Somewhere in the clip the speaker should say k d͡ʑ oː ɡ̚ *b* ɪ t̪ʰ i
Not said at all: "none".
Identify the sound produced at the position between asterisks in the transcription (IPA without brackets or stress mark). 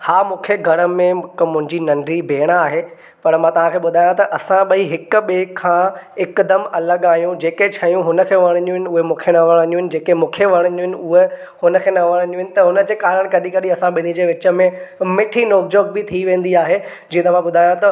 b